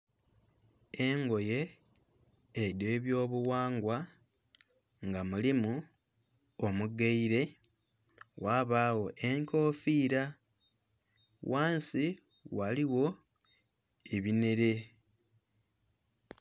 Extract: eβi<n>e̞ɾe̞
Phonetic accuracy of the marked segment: correct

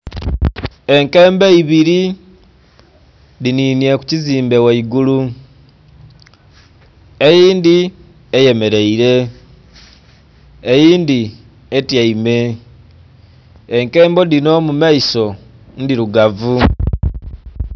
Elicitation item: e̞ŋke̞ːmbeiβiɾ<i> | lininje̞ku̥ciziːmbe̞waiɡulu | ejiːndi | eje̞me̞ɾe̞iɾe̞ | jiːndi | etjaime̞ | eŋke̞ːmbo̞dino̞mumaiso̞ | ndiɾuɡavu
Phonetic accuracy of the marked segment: correct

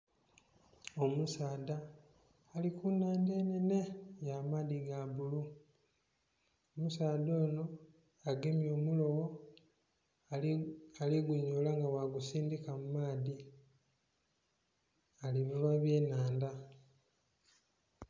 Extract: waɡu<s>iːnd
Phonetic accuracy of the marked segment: correct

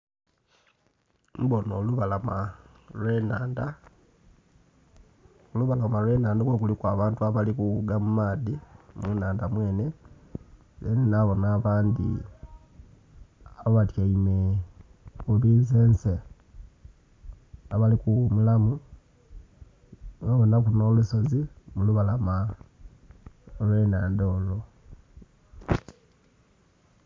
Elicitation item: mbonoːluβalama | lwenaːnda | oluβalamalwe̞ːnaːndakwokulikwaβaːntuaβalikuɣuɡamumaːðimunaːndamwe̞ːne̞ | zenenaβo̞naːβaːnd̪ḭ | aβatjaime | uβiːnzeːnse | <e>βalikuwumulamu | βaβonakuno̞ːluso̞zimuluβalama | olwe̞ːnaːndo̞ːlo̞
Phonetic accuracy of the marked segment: incorrect: a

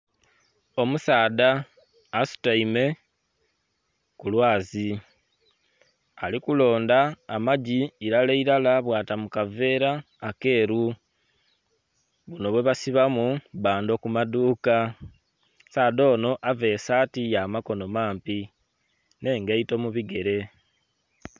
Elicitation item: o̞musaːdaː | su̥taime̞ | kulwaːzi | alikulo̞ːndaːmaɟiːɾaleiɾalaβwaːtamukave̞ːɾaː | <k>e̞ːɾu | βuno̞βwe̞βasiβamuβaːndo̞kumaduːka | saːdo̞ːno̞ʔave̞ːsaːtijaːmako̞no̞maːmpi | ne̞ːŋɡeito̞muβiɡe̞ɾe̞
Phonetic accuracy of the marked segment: correct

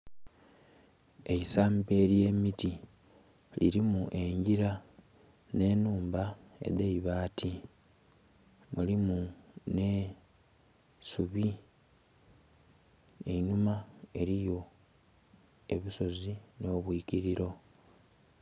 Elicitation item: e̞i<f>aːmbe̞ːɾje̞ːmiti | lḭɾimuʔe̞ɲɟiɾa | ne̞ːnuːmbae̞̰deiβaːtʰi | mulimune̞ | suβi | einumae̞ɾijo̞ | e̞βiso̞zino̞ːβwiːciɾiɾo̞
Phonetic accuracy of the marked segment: incorrect: s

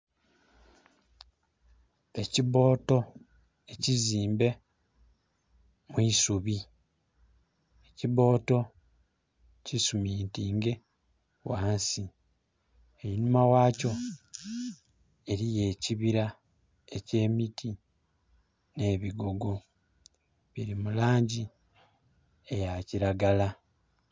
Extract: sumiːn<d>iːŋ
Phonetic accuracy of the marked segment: incorrect: t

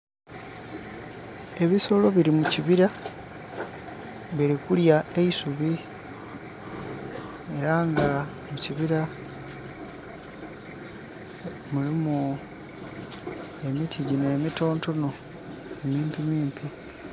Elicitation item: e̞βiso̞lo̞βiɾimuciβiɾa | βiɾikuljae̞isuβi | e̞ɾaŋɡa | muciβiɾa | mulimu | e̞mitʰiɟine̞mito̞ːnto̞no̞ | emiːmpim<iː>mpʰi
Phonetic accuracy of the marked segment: correct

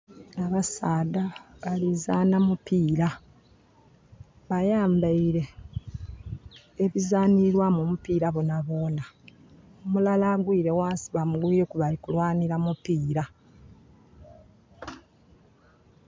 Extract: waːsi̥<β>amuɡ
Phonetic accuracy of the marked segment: correct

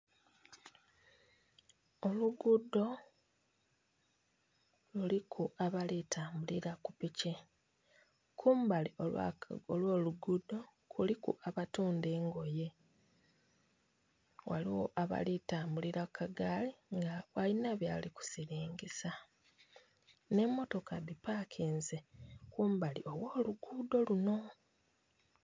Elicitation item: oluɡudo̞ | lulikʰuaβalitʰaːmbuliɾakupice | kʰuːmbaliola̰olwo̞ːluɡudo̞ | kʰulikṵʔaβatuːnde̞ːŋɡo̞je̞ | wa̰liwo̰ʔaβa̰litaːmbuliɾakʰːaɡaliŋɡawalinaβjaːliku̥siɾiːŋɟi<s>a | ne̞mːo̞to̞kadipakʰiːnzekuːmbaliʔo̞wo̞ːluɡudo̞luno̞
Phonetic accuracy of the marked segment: correct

